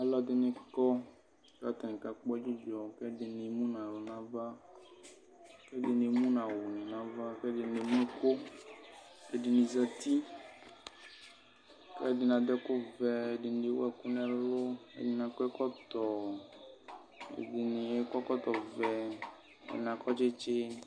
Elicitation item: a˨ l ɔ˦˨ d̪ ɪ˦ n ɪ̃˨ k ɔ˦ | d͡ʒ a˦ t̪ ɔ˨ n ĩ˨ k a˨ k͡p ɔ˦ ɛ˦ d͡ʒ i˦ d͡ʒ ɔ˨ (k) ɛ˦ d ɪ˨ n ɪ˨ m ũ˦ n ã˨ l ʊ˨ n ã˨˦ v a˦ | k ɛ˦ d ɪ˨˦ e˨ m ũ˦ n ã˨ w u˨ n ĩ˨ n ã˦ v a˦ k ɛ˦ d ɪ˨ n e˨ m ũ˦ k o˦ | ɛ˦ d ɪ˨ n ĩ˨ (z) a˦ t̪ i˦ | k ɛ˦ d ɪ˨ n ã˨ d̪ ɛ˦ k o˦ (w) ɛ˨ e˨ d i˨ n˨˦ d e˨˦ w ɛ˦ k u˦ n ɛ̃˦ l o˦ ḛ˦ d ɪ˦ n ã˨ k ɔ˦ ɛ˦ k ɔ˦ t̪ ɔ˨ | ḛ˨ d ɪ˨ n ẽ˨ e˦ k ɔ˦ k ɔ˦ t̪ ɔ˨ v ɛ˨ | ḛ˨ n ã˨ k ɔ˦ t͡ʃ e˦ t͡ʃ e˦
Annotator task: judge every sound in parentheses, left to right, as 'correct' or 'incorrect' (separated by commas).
correct, correct, incorrect